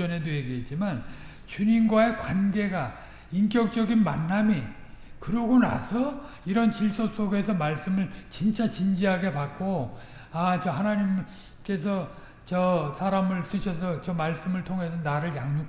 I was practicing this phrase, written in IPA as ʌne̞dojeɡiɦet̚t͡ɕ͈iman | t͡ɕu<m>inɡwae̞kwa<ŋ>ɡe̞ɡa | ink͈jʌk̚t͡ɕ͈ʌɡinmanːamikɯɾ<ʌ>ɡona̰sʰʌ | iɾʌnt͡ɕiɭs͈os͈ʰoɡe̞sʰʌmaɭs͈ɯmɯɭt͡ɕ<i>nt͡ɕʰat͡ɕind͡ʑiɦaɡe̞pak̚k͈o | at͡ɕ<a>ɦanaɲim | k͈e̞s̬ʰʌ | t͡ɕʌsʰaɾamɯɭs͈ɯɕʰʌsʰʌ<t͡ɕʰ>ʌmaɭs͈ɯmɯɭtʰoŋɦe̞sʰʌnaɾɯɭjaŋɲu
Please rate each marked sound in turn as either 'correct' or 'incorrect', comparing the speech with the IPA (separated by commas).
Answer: incorrect, incorrect, correct, correct, incorrect, incorrect